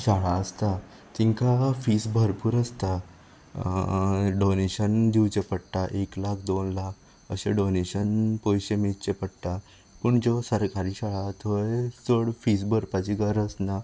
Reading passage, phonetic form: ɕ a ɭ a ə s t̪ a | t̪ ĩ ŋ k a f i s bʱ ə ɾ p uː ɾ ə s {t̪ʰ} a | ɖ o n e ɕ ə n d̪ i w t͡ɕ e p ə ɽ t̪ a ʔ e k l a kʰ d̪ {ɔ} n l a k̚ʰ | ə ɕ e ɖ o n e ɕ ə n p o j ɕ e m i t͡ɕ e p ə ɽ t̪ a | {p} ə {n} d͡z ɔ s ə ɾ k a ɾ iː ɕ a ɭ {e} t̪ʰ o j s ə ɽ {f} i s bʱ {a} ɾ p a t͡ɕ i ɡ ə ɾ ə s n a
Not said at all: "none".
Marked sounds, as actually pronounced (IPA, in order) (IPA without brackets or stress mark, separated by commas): t̪, o, p, ɳ, a, f, ə